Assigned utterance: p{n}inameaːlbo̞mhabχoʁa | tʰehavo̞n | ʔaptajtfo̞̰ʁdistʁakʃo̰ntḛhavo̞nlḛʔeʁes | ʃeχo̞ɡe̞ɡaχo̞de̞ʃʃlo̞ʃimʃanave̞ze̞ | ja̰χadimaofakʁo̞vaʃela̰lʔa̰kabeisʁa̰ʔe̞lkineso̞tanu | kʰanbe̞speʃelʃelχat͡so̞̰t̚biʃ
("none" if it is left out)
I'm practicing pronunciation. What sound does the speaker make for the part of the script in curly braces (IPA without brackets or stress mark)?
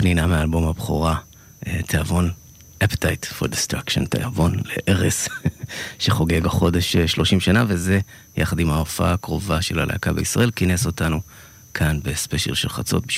n